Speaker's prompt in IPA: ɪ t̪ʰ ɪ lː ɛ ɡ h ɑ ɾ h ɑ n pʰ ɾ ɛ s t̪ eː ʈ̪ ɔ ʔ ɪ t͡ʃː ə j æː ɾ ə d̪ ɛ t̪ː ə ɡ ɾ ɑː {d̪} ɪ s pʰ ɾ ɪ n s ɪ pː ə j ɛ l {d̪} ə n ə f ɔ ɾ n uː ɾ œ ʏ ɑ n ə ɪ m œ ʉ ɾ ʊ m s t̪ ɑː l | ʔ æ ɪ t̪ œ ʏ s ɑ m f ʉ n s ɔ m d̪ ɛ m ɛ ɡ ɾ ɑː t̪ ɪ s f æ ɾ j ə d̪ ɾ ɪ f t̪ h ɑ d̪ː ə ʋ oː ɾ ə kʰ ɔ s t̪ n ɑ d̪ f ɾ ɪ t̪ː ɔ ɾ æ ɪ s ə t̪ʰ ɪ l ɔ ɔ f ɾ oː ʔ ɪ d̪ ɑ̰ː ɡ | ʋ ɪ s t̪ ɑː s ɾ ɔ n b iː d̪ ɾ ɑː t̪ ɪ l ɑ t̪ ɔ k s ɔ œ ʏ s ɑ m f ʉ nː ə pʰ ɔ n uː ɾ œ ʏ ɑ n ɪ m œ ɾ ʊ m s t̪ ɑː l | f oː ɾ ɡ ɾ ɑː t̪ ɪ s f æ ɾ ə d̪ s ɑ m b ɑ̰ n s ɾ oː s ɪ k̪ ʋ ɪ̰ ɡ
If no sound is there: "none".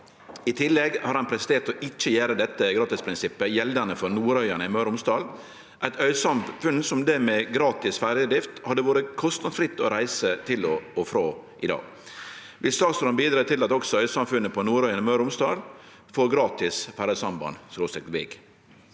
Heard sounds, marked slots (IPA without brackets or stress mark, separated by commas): t̪, d̪